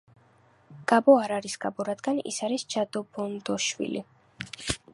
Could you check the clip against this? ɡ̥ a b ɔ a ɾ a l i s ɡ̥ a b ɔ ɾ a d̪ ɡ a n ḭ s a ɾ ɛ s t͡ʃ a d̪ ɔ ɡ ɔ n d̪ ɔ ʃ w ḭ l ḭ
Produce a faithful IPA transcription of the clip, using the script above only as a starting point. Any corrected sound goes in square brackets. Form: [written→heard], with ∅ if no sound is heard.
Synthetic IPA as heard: ɡ̥ a b ɔ a ɾ a [l→ɾ] i s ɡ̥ a b ɔ ɾ a d̪ ɡ a n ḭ s a ɾ [ɛ→i] s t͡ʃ a d̪ ɔ [ɡ→b] ɔ n d̪ ɔ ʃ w ḭ l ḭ